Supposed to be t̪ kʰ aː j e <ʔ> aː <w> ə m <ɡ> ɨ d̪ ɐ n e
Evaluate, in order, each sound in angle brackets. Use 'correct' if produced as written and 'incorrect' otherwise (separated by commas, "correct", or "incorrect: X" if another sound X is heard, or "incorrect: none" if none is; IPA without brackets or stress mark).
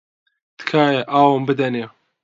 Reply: correct, correct, incorrect: b